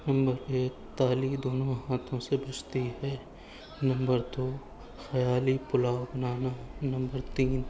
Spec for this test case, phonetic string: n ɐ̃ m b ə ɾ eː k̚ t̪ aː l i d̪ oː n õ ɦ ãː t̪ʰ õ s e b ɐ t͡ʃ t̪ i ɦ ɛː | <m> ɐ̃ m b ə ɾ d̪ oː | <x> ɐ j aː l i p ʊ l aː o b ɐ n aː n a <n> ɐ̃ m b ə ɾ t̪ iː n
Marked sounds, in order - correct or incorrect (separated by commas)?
incorrect, correct, correct